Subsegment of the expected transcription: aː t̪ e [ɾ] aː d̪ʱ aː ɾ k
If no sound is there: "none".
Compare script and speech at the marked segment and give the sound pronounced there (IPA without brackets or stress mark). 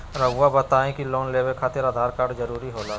ɾ